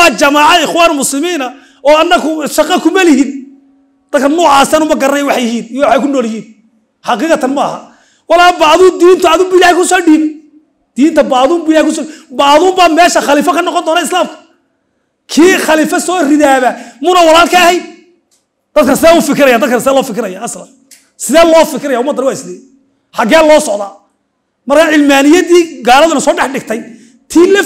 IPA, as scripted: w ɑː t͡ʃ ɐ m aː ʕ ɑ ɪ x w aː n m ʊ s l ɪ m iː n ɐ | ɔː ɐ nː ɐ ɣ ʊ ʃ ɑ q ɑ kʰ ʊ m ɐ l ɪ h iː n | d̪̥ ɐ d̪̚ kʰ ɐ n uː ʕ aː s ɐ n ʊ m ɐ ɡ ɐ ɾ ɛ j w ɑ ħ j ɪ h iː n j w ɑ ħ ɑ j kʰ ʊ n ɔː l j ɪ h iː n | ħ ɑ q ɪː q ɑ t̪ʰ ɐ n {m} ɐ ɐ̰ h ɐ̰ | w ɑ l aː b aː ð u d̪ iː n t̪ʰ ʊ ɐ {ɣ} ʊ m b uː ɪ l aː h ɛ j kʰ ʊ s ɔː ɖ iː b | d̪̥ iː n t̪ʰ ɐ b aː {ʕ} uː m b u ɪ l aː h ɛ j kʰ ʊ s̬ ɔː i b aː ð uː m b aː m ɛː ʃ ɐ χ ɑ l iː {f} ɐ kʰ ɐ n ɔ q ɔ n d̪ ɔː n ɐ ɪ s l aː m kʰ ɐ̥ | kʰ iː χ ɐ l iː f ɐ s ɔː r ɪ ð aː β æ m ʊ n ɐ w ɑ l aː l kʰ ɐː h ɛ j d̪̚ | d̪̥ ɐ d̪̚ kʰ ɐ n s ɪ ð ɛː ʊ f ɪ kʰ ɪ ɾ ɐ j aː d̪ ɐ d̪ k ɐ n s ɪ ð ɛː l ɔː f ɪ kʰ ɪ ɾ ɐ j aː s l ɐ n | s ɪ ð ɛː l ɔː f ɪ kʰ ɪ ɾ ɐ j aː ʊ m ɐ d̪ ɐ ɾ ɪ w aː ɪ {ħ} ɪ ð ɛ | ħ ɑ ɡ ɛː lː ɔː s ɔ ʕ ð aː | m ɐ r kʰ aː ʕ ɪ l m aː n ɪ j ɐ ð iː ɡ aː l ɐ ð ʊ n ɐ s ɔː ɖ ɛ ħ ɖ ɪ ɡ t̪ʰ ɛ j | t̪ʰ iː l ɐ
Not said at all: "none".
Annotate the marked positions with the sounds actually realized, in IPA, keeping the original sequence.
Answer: m, ð, ð, f, s

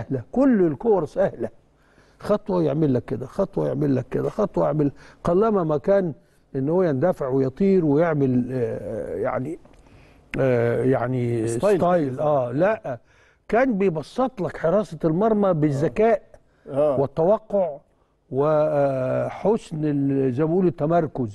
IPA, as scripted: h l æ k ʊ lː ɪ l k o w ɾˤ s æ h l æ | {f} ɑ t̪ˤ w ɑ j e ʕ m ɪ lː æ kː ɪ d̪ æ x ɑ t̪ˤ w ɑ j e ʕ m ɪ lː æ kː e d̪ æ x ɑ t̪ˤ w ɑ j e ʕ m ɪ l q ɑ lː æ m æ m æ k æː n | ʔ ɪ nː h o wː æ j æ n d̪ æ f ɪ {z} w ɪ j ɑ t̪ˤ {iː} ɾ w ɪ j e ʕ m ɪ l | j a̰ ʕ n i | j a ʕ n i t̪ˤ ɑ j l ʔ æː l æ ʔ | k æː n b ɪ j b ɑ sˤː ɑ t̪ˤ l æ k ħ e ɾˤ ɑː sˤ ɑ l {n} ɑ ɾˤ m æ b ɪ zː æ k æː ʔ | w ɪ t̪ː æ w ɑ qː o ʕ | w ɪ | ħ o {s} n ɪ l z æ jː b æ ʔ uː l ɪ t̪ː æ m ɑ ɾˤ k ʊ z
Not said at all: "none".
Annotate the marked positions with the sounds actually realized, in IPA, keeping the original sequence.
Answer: x, ʕ, iː, m, s

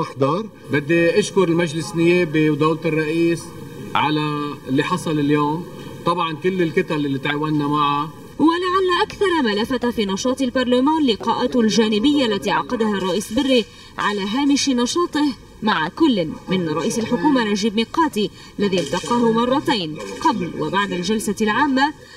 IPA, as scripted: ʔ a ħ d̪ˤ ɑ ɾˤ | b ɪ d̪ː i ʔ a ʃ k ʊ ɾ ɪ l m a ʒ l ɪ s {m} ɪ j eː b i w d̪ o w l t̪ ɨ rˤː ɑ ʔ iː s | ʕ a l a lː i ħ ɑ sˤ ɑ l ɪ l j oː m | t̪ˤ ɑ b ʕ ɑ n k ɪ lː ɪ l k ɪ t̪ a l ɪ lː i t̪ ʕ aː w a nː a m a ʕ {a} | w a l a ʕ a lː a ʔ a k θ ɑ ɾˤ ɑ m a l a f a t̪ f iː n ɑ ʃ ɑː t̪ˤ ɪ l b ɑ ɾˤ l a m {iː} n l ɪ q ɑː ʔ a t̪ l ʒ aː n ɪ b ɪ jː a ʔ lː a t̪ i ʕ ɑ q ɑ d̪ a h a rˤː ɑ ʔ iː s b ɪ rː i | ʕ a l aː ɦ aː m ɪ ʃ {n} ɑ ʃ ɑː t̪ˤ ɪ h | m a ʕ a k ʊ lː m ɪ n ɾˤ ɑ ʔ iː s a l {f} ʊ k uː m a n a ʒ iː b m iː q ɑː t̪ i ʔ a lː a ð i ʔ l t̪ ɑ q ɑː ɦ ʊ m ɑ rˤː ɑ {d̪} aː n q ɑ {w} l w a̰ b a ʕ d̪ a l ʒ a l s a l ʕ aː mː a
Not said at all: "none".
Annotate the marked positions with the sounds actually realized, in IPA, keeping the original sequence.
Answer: n, a, aː, n, ħ, t̪, b

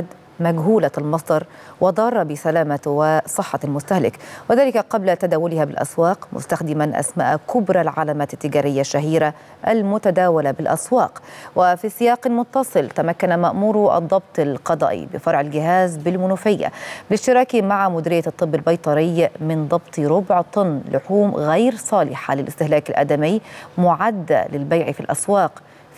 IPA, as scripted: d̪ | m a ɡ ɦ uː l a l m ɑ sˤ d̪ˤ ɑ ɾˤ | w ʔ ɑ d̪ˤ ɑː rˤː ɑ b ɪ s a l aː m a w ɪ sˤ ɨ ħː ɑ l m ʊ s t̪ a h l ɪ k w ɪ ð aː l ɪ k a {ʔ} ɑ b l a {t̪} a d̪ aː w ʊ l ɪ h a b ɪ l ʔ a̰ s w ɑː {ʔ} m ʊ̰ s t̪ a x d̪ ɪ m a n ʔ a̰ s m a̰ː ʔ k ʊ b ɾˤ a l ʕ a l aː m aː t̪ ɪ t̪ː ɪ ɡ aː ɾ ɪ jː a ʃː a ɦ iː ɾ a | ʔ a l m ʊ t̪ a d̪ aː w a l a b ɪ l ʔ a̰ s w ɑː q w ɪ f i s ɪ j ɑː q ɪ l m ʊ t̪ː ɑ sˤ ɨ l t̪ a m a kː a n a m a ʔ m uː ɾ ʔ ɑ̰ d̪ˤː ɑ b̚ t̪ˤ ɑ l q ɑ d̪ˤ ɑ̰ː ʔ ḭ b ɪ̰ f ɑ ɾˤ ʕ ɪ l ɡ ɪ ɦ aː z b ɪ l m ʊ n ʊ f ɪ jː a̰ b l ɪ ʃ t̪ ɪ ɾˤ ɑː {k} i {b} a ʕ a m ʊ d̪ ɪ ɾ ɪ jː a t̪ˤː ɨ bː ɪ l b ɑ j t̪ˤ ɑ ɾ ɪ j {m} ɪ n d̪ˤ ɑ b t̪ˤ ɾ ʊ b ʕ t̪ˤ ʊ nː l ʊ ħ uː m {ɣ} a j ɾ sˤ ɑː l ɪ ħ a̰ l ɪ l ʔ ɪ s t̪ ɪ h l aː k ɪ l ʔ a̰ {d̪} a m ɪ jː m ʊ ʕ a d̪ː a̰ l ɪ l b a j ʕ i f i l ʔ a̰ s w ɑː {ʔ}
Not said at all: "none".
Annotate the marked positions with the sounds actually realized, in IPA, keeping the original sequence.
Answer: q, t̪, q, k, m, m, ɣ, d̪, q

